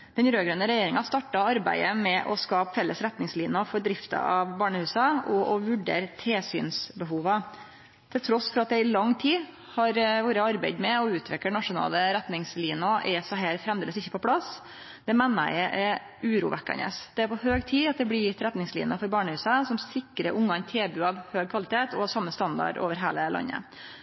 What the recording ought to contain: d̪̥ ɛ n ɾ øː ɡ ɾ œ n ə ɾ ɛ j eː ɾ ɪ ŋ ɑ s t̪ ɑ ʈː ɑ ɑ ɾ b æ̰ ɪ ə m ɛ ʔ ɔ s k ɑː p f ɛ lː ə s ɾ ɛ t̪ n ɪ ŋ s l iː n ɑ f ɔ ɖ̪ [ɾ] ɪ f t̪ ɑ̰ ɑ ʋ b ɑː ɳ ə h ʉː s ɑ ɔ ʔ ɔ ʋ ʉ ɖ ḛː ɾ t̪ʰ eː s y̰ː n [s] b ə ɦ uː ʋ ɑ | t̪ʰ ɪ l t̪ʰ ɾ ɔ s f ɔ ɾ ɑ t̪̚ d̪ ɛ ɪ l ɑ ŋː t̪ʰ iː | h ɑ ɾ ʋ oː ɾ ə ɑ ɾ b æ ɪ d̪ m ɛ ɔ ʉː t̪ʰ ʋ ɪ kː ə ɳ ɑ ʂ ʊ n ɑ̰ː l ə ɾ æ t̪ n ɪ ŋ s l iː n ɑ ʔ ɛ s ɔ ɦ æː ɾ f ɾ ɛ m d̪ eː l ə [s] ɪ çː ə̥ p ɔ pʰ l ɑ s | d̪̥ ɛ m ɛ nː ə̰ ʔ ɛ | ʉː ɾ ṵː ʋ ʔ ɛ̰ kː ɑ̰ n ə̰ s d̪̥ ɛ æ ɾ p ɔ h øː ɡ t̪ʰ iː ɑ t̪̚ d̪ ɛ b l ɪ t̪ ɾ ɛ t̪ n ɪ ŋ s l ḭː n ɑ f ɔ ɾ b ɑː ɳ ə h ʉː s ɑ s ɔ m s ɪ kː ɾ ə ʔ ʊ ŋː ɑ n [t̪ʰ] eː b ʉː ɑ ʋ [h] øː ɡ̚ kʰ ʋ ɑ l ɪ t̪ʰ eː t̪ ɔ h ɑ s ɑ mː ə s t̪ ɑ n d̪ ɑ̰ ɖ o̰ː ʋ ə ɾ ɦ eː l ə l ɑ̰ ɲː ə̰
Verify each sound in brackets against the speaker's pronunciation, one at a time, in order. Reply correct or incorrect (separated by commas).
correct, correct, correct, correct, correct